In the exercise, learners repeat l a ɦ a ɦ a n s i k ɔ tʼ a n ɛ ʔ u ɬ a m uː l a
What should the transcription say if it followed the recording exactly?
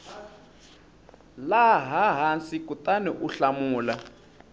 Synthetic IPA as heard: l a ɦ a ɦ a n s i k u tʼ a n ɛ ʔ u ɬ a m uː l a